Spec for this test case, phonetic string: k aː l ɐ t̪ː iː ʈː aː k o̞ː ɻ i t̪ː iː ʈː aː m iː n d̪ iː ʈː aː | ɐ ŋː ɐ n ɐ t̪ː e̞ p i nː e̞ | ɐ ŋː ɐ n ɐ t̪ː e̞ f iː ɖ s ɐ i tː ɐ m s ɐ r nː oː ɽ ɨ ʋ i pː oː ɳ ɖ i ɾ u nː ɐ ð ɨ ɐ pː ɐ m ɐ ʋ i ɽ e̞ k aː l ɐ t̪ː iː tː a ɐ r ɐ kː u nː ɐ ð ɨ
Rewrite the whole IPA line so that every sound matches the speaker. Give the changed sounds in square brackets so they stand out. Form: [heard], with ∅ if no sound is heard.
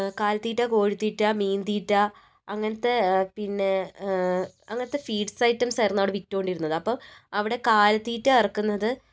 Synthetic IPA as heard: k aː l ɐ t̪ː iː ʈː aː k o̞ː ɻ i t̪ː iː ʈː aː m iː n d̪ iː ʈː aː | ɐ ŋː ɐ n ɐ t̪ː e̞ p i nː e̞ | ɐ ŋː ɐ n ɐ t̪ː e̞ f iː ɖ s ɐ [j] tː ɐ m s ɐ r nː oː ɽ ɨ ʋ i [tː] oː ɳ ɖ i ɾ u nː ɐ ð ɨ ɐ pː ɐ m ɐ ʋ i ɽ e̞ k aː l ɐ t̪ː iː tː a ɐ r ɐ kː u nː ɐ ð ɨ